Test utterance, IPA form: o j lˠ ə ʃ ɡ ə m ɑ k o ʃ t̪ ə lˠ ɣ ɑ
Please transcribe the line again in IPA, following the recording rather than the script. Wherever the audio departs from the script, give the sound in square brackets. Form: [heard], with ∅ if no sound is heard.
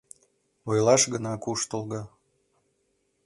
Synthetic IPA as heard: o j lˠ [ɑ] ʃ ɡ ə [n] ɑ k [u] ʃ t̪ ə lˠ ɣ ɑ